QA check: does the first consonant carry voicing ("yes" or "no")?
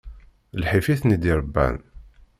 yes